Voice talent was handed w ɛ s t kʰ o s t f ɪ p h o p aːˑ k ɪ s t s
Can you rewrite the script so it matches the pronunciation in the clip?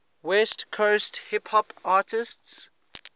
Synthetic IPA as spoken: w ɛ s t kʰ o s t h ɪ p h ɔ p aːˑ t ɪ s t s